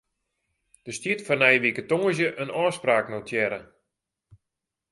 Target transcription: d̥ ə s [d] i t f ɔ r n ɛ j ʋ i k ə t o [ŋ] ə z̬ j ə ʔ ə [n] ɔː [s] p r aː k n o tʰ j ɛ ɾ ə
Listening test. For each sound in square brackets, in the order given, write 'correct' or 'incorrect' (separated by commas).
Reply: incorrect, correct, correct, correct